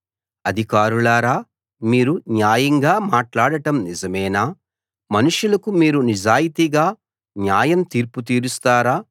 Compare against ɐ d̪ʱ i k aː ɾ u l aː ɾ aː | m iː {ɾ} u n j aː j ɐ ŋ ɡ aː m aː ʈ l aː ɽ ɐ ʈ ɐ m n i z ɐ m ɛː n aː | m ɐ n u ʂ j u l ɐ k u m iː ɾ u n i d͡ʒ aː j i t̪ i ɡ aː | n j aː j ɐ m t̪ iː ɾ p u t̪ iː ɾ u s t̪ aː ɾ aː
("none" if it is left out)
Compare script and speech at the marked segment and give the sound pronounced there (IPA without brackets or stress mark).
ɾ